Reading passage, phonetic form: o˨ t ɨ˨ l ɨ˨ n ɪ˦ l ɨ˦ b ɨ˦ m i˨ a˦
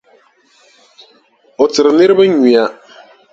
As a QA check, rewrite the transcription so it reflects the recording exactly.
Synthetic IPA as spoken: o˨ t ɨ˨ ɾ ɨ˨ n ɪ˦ ɾ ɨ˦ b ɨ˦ ɲ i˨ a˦